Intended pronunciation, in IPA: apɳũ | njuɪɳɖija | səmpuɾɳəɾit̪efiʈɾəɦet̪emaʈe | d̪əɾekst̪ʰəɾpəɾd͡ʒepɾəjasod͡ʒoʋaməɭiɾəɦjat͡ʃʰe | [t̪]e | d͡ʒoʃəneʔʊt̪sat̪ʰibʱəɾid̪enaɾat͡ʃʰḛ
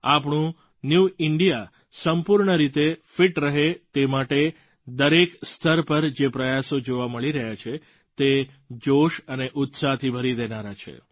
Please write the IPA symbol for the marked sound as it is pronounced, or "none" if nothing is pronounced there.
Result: t̪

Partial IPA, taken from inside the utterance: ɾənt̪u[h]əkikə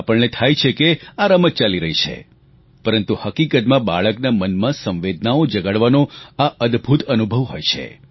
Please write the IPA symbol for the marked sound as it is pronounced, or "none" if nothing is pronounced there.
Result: h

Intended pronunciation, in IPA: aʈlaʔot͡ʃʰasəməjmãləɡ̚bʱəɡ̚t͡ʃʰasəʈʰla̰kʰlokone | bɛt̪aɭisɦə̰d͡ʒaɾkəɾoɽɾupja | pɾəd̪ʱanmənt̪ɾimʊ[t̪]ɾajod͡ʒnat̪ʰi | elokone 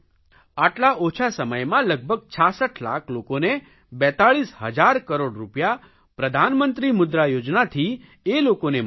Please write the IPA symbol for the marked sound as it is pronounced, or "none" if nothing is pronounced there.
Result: d̪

